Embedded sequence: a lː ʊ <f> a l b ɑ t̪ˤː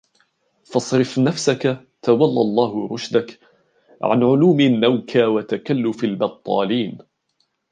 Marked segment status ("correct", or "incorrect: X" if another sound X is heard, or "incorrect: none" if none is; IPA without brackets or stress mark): correct